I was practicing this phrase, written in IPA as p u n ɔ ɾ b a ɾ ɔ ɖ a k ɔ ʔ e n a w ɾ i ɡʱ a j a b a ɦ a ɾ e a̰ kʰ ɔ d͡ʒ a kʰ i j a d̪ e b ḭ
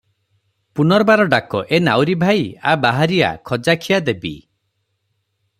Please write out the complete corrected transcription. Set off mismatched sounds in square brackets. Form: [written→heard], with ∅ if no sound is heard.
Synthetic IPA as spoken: p u n ɔ ɾ b a ɾ ɔ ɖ a k ɔ ʔ e n a w ɾ i [ɡʱ→bʱ] a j a b a ɦ a ɾ [e→i] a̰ kʰ ɔ d͡ʒ a kʰ i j a d̪ e b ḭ